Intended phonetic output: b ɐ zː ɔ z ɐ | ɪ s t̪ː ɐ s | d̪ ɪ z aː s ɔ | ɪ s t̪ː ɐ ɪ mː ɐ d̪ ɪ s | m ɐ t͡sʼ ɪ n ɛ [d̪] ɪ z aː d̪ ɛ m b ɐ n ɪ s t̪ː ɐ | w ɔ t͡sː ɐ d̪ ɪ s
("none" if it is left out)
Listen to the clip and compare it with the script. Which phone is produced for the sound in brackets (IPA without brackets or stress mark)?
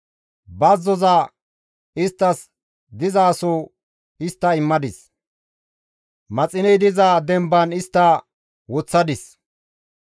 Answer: d̪